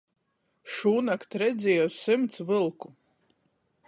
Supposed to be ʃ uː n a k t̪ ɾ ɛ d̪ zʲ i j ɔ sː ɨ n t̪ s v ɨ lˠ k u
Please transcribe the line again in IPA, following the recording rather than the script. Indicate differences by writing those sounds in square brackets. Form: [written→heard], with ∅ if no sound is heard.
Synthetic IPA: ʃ uː n a k t̪ ɾ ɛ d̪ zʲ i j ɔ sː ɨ [n→m] t̪ s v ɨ lˠ k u